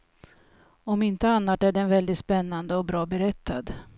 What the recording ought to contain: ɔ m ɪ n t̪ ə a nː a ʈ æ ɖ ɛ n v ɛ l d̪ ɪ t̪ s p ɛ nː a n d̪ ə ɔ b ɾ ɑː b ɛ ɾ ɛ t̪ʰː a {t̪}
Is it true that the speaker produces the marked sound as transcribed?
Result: no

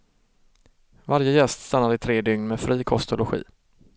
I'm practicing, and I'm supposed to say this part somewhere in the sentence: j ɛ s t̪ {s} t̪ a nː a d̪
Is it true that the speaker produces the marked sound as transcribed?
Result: yes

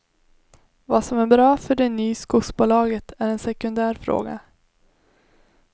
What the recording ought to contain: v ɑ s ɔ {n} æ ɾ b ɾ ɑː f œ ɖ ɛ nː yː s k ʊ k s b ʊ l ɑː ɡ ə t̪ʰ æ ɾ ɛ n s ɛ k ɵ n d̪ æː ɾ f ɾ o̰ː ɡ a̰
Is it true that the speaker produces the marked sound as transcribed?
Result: no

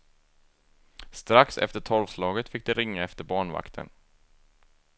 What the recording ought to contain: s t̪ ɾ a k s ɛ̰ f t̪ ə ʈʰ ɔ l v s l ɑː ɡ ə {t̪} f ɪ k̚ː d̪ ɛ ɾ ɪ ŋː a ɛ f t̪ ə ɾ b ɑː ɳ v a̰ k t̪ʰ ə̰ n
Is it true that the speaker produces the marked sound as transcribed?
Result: yes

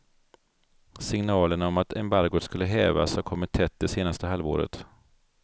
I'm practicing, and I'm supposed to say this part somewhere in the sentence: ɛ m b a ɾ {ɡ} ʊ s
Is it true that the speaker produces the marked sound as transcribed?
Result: yes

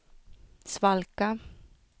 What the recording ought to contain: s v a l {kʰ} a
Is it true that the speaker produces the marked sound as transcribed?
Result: no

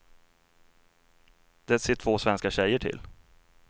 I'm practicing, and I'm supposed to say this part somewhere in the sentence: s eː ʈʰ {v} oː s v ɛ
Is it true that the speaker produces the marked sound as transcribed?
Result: yes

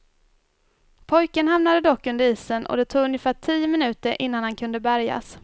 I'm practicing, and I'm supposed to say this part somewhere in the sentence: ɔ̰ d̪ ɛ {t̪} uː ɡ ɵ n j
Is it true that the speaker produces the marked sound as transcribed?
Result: no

